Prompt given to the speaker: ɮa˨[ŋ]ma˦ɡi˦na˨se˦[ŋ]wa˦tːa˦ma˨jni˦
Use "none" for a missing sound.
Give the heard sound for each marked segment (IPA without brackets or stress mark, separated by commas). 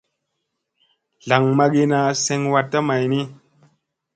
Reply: ŋ, ŋ